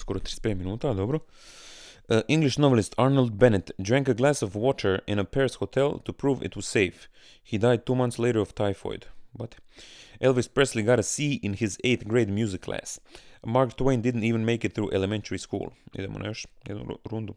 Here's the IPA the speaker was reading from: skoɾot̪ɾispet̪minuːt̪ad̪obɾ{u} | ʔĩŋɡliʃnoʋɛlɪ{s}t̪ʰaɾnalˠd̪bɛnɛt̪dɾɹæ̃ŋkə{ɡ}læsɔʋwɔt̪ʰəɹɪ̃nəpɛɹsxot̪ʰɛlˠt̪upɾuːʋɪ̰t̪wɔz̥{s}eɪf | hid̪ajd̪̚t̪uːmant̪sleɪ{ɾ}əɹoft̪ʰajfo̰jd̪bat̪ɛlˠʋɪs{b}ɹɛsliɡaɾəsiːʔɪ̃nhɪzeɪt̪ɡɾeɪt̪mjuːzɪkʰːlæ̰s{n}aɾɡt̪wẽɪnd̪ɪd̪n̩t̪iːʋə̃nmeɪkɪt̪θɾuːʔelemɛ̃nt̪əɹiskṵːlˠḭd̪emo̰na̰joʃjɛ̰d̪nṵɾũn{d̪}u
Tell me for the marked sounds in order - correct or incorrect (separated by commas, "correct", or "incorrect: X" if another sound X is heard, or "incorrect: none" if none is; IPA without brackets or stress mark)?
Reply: incorrect: o, correct, correct, correct, correct, incorrect: p, incorrect: m, correct